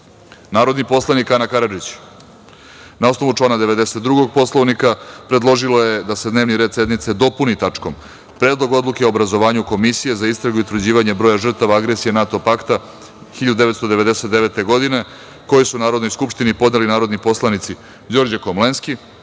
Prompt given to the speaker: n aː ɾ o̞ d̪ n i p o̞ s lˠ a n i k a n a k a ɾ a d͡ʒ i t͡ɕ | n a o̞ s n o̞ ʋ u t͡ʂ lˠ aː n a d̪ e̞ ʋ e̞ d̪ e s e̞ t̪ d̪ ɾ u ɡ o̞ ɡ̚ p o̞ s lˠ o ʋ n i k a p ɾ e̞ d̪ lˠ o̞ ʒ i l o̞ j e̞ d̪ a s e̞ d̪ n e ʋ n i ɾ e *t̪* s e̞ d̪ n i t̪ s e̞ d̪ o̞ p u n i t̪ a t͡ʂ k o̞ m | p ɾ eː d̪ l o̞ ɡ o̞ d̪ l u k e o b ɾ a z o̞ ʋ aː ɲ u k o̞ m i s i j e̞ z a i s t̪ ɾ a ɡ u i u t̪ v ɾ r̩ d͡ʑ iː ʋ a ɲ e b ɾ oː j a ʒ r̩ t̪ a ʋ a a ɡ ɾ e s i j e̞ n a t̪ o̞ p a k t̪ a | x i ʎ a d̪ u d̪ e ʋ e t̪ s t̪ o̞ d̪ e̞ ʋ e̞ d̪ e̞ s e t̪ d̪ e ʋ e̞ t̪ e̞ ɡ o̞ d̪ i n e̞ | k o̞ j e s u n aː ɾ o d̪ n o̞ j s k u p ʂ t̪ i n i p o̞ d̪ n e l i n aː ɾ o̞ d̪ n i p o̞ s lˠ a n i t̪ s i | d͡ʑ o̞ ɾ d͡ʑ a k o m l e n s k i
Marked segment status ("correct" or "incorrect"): incorrect